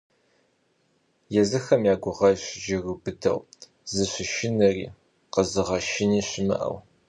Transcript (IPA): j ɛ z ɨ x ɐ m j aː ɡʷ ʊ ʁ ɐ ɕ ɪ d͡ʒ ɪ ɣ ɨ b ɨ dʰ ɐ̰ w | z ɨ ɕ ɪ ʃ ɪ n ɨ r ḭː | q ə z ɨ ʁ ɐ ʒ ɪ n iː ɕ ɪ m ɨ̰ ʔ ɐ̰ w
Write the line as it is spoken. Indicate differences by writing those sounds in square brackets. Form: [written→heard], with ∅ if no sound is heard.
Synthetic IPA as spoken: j ɛ z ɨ x ɐ m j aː ɡʷ ʊ ʁ ɐ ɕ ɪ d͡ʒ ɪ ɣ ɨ b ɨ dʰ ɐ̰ w | z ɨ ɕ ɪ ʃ ɪ n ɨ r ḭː | q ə z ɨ ʁ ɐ [ʒ→ʃ] ɪ n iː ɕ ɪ m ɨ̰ ʔ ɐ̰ w